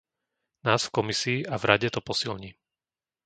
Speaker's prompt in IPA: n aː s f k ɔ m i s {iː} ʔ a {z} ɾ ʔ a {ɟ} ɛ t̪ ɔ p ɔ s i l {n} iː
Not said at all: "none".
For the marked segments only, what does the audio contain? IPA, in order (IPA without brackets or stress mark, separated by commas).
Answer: iː, v, ɟ, ɲ